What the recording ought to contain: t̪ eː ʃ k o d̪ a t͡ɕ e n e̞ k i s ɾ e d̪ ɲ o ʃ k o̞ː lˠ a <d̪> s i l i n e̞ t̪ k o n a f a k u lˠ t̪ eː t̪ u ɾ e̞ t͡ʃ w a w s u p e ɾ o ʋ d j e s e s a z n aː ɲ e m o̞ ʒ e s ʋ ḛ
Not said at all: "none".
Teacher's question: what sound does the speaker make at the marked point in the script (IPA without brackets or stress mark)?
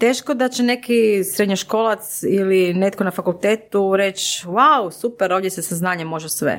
t̪